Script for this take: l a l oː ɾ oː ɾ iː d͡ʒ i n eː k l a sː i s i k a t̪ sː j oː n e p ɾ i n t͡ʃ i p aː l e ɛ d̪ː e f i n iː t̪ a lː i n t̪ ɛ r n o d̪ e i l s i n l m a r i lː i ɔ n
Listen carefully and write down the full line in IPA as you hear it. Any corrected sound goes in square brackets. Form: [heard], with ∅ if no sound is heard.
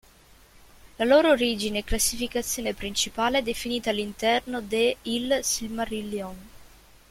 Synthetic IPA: l a l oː ɾ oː ɾ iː d͡ʒ i n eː k l a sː i [f] i k a t̪ sː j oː n e p ɾ i n t͡ʃ i p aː l e ɛ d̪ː e f i n iː t̪ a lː i n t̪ ɛ r n o d̪ e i l s i [∅] l m a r i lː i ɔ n